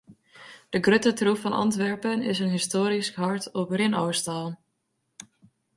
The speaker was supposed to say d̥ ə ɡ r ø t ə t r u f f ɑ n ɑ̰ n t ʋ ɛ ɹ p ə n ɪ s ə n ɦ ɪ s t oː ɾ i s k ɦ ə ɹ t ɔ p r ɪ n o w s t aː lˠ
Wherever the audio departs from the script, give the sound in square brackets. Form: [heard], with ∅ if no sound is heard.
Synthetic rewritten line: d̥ ə ɡ r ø t ə t r u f f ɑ n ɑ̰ n t ʋ ɛ ɹ p ə n ɪ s ə n ɦ ɪ s t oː ɾ i s k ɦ [ɑ] ɹ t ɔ p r ɪ n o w s t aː lˠ